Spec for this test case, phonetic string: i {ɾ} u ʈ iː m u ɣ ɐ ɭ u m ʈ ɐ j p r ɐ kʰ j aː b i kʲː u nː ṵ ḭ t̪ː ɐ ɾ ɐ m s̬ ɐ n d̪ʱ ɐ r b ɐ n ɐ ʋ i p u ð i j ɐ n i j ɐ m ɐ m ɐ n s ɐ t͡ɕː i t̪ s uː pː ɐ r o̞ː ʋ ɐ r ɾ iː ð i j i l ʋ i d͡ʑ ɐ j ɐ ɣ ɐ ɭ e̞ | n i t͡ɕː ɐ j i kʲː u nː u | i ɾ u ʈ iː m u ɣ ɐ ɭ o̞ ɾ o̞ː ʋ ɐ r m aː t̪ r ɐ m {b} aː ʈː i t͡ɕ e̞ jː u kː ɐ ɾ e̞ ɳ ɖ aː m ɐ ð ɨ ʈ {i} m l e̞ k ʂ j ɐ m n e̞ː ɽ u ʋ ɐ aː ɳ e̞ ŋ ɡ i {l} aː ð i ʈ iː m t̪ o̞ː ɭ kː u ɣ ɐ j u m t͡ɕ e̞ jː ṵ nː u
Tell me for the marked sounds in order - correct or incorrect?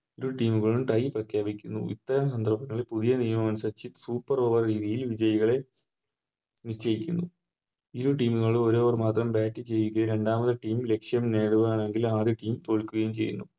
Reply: correct, correct, incorrect: iː, correct

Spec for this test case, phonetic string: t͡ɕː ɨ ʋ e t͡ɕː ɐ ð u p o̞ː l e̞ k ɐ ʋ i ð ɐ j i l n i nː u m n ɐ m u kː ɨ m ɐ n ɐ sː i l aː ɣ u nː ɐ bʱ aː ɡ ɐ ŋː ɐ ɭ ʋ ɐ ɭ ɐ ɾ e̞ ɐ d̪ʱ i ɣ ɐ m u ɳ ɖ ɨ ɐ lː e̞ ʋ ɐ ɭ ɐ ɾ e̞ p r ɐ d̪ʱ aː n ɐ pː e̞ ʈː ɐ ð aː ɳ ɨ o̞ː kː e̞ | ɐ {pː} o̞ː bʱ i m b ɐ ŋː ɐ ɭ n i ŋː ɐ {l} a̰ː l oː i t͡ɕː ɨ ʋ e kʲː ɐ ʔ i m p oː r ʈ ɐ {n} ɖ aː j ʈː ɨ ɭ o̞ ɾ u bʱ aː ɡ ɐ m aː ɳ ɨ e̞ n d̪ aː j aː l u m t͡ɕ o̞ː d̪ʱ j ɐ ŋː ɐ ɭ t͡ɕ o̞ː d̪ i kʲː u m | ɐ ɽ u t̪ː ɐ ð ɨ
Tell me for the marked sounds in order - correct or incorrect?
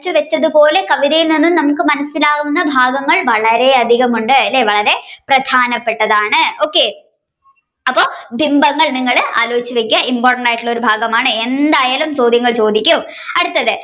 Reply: correct, incorrect: ɭ, incorrect: ɳ

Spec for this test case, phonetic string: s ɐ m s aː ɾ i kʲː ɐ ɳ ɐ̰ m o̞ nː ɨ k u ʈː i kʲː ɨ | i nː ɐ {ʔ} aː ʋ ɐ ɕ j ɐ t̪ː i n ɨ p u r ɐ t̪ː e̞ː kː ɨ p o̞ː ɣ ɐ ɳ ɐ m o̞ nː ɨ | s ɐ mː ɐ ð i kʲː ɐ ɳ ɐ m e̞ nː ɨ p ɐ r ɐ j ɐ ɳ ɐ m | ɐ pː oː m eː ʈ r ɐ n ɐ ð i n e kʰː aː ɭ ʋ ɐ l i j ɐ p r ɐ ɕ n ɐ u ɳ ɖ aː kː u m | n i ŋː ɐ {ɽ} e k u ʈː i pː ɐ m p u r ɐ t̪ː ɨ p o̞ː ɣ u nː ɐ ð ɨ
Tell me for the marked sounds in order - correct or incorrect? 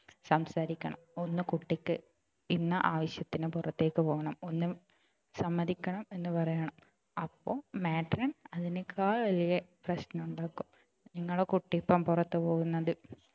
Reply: correct, incorrect: ɭ

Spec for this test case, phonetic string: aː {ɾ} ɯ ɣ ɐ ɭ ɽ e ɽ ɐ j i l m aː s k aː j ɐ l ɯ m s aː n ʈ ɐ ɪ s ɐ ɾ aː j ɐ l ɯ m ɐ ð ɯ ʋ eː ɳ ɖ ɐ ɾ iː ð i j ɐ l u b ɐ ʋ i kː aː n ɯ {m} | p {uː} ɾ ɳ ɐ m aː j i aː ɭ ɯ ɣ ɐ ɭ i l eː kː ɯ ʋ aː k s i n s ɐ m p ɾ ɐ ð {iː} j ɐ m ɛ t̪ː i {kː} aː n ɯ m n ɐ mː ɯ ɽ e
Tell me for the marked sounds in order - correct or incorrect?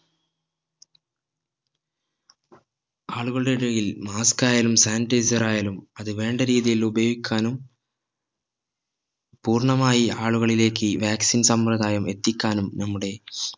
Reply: incorrect: ɭ, correct, correct, incorrect: aː, correct

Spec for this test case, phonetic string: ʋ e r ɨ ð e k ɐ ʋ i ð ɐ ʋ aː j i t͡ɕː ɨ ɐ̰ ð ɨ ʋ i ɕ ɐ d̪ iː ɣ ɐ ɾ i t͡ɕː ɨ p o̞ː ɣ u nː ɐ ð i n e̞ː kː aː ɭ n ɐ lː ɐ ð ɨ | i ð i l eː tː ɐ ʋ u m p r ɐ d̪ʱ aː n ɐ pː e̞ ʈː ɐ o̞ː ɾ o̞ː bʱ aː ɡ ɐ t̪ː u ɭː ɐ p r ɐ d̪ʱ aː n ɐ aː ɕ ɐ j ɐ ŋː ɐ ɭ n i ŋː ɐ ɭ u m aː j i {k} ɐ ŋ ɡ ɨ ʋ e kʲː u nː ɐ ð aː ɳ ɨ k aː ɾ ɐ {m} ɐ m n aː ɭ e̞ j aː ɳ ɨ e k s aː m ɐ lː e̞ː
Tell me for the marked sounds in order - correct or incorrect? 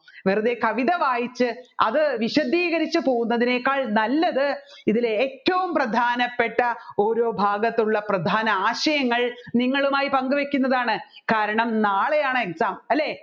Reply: incorrect: p, incorrect: ɳ

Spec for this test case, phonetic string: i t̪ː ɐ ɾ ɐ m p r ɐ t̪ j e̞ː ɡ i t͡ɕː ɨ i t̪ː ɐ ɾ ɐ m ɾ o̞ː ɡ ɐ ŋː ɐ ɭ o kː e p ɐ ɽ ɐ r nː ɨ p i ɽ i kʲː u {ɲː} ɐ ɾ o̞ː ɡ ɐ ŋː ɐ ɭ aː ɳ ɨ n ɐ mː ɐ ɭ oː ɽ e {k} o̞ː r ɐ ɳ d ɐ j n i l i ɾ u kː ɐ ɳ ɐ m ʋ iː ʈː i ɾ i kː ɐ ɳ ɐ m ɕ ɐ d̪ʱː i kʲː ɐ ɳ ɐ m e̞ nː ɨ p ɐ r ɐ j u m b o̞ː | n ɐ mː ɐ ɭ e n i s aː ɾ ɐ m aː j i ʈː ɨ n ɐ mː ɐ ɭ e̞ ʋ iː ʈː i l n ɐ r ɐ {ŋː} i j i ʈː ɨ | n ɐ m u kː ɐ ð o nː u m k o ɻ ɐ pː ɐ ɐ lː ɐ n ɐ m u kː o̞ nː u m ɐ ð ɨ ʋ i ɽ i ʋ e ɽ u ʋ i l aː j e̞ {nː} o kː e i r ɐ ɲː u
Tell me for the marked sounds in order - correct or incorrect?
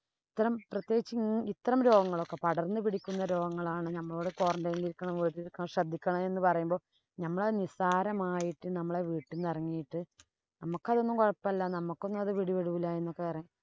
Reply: incorrect: nː, correct, correct, correct

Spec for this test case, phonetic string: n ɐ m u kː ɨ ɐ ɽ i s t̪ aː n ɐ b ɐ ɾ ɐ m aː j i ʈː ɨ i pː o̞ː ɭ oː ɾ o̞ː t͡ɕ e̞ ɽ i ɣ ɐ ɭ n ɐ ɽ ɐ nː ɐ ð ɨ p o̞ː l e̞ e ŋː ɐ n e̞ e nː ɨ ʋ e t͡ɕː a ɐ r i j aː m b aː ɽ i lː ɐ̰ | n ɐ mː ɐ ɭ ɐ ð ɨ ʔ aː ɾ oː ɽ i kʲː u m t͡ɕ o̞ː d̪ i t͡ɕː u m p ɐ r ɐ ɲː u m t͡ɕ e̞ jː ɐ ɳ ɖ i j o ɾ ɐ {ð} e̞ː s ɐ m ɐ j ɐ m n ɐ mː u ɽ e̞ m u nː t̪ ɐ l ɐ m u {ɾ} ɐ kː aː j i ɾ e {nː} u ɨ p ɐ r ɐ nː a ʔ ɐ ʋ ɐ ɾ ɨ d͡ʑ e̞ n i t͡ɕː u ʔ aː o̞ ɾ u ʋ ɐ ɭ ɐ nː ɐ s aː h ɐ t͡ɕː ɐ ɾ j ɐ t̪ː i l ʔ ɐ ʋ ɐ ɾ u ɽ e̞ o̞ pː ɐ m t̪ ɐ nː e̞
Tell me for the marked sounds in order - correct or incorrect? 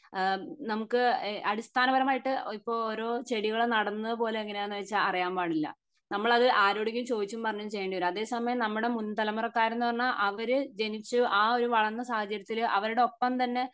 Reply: correct, incorrect: r, correct

